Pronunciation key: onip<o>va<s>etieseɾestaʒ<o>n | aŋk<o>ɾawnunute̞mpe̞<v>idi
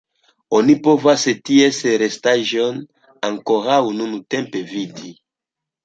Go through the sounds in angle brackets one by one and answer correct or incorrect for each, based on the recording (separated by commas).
correct, correct, correct, correct, correct